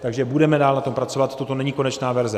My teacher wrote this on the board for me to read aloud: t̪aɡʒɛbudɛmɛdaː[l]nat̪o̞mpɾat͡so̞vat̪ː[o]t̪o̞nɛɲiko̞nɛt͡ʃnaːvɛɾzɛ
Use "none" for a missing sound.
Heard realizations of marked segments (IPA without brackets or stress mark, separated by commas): l, o